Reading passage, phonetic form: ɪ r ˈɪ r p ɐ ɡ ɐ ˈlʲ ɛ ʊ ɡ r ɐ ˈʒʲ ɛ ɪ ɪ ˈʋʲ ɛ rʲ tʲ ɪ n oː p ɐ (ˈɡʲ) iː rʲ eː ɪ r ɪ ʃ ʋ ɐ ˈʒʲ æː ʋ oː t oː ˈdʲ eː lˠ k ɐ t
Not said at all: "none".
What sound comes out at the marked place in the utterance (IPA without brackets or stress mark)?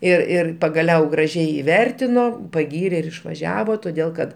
ɡʲ